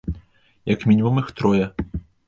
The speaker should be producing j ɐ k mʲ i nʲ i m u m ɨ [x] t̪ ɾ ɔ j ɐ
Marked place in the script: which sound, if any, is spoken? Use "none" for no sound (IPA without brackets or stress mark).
x